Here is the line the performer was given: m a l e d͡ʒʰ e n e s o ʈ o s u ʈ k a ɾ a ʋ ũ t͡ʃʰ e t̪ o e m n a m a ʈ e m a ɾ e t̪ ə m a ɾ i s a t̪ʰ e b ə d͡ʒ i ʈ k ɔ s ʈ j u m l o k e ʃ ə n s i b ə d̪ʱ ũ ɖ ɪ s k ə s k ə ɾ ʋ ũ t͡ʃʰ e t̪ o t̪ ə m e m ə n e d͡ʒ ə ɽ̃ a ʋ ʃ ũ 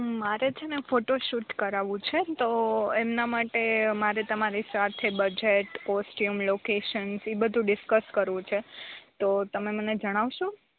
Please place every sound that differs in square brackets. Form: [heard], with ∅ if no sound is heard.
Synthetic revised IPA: m a [ɾ] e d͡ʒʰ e n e [f] o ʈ o [ʃ] u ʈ k [ə] ɾ a ʋ ũ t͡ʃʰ e t̪ o e m n a m a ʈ e m a ɾ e t̪ ə m a ɾ i s a t̪ʰ e b ə d͡ʒ [e] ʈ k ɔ s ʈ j u m l o k e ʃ ə n s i b ə d̪ʱ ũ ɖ ɪ s k ə s k ə ɾ ʋ ũ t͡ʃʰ e t̪ o t̪ ə m e m ə n e d͡ʒ ə ɽ̃ a ʋ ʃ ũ

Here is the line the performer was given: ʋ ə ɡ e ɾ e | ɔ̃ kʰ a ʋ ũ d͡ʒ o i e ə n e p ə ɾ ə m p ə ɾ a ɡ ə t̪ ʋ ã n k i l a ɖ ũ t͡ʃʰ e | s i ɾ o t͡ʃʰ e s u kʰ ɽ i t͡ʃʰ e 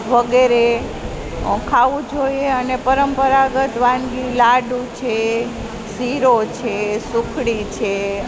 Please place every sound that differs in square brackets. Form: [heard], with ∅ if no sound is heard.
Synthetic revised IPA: ʋ ə ɡ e ɾ e | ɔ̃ kʰ a ʋ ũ d͡ʒ o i e ə n e p ə ɾ ə m p ə ɾ a ɡ ə t̪ ʋ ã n [ɡ] i l a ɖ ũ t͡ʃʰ e | s i ɾ o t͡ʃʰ e s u kʰ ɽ i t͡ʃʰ e

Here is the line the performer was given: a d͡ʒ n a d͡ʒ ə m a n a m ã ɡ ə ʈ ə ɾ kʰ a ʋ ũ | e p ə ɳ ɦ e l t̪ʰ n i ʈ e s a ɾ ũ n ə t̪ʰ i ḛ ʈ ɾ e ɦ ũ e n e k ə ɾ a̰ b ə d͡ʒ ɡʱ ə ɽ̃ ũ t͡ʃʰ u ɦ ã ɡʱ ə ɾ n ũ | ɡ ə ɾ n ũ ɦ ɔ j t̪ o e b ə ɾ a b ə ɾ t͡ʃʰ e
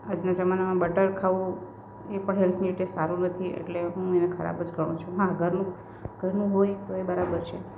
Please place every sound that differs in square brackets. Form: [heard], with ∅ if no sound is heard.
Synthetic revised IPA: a d͡ʒ n a d͡ʒ ə m a n a m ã [b] ə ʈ ə ɾ kʰ a ʋ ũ | e p ə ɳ ɦ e l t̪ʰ n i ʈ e s a ɾ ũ n ə t̪ʰ i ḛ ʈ [l] e ɦ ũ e n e [kʰ] ə ɾ a̰ b ə d͡ʒ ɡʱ ə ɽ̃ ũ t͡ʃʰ u ɦ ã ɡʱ ə ɾ n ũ | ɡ ə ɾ n ũ ɦ [o] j t̪ o e b ə ɾ a b ə ɾ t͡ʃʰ e

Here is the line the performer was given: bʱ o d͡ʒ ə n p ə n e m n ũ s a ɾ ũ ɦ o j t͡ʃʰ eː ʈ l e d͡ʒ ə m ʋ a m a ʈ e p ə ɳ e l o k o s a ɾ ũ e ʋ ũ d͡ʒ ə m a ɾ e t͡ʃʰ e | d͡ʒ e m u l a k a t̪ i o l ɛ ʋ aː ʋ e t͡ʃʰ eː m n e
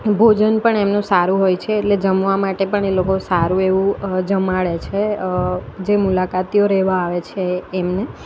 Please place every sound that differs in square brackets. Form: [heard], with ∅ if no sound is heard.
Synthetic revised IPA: bʱ o d͡ʒ ə n p ə [ɳ] e m n ũ s a ɾ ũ ɦ o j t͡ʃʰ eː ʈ l e d͡ʒ ə m ʋ a m a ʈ e p ə ɳ e l o k o s a ɾ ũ e ʋ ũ d͡ʒ ə m a [ɭ] e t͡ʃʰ e | d͡ʒ e m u l a k a t̪ i o [ɾ] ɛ ʋ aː ʋ e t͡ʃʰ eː m n e

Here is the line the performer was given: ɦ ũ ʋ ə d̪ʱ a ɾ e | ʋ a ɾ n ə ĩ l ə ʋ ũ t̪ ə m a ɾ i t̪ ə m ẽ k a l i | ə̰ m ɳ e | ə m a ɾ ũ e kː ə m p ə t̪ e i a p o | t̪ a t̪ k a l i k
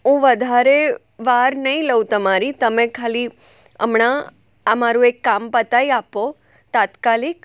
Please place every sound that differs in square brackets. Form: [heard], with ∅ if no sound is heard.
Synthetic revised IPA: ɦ ũ ʋ ə d̪ʱ a ɾ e | ʋ a ɾ n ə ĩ l ə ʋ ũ t̪ ə m a ɾ i t̪ ə m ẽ [kʰ] a l i | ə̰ m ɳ [a] | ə m a ɾ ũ e kː [a] m p ə t̪ [a] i a p o | t̪ a t̪ k a l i k

